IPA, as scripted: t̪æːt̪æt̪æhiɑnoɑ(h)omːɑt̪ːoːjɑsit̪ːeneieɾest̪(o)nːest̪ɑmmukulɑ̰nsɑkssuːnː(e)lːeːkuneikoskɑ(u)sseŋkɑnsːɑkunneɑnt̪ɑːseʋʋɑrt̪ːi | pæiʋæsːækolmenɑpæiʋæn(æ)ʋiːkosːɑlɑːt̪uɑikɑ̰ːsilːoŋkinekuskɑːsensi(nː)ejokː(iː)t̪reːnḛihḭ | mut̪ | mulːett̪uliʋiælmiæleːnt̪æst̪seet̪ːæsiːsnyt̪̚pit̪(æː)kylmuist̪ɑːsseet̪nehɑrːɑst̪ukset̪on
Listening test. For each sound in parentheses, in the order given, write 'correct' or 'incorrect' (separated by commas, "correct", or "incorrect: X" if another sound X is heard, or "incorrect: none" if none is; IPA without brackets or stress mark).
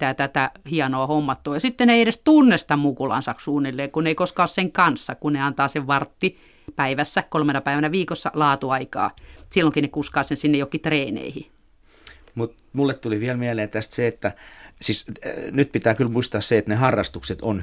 correct, incorrect: u, incorrect: i, incorrect: o, correct, correct, incorrect: i, correct